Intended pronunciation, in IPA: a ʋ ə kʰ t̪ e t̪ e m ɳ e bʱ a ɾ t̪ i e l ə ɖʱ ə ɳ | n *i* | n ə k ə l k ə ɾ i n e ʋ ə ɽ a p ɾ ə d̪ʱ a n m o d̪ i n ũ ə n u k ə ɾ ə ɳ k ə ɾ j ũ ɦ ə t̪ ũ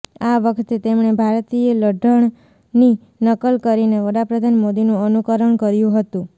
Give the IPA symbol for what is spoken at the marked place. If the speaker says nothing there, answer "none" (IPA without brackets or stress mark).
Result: i